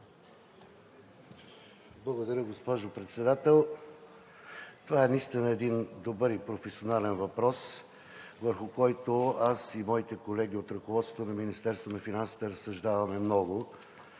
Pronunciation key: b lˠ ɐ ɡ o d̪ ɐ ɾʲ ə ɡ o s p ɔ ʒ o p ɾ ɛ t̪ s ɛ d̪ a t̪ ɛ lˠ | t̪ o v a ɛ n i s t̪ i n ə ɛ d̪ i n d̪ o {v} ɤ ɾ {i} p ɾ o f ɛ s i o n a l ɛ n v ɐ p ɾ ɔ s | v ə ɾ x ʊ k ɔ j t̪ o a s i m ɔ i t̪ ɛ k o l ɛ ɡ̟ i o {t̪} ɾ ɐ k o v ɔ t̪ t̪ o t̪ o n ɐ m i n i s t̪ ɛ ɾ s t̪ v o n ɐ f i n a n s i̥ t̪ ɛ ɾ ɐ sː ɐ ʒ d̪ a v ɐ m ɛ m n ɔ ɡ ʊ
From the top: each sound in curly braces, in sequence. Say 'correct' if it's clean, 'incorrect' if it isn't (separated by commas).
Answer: incorrect, correct, correct